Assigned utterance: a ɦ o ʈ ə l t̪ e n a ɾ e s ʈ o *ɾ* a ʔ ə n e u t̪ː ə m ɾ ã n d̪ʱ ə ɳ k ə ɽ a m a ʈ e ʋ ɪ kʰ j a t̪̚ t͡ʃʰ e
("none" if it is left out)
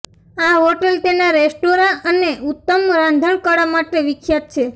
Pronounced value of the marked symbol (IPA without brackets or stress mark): ɾ